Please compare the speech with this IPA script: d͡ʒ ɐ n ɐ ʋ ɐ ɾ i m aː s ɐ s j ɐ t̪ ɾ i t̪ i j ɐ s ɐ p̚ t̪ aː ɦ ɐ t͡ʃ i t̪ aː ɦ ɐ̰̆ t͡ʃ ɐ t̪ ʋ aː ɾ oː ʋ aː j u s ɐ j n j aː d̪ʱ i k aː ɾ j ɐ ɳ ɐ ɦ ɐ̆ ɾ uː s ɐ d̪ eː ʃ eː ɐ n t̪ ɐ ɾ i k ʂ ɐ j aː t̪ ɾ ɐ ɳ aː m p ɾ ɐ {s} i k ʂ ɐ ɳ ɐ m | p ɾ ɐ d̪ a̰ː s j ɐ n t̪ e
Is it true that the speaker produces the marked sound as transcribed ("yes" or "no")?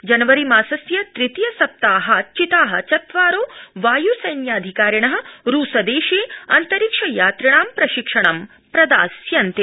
no